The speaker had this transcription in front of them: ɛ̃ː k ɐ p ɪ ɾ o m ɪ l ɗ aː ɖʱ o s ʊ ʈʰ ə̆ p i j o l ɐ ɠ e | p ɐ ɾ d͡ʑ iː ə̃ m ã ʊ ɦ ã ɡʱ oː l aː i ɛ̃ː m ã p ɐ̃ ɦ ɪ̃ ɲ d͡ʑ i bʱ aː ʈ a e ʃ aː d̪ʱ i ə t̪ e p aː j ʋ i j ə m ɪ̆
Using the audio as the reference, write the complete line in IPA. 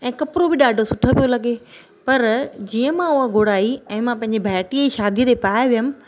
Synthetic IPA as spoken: ɛ̃ː k ɐ p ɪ ɾ o b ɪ ɗ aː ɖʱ o s ʊ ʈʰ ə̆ p i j o l ɐ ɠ e | p ɐ ɾ d͡ʑ iː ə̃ m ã ʊ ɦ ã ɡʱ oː ɽ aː i ɛ̃ː m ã p ɐ̃ ɦ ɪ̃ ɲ d͡ʑ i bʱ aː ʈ i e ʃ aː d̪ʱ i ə t̪ e p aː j ʋ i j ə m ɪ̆